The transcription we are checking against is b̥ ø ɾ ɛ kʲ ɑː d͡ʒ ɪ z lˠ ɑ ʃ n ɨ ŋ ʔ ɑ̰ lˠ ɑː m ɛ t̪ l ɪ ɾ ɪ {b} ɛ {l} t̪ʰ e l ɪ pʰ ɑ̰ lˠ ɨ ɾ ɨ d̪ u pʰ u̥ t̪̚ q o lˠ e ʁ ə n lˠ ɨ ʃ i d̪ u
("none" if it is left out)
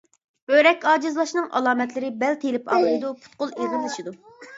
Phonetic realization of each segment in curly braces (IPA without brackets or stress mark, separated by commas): b, l